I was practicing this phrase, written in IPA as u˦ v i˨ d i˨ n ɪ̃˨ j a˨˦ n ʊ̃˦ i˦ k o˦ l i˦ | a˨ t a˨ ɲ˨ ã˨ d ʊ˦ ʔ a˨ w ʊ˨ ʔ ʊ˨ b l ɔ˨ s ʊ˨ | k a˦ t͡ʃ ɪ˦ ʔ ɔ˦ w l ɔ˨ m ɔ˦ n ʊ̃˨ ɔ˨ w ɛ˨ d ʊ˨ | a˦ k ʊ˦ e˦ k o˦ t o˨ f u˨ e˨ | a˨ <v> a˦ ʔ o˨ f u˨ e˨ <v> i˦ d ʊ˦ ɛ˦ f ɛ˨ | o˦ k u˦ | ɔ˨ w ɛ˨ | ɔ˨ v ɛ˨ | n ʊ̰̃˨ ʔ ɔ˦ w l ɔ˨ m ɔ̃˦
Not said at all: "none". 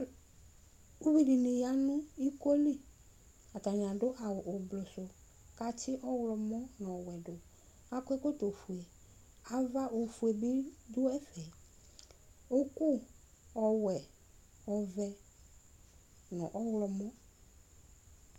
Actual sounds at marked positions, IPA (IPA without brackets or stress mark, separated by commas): v, b